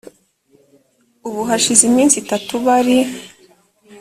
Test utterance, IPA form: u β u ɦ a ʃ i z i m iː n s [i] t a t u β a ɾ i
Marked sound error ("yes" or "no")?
no